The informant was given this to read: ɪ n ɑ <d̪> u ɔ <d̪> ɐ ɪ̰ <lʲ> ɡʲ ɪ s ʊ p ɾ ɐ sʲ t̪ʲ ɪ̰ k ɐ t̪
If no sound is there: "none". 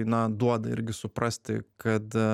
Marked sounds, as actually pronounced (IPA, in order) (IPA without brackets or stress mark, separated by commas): d̪, d̪, ɾʲ